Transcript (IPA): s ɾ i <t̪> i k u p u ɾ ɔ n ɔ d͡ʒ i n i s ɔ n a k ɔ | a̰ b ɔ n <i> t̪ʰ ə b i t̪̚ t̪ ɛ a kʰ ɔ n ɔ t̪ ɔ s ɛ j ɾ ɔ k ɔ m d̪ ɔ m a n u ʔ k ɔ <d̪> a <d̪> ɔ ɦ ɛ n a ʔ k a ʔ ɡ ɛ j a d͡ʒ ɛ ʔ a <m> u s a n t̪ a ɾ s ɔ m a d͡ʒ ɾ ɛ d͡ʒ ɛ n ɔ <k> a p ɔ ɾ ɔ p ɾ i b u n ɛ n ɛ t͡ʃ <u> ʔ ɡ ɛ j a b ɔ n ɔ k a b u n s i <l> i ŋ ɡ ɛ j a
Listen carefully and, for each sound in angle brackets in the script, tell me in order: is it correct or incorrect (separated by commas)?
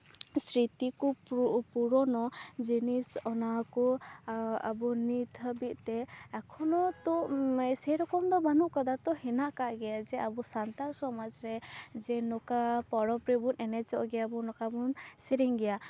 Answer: correct, correct, correct, incorrect, incorrect, correct, incorrect, incorrect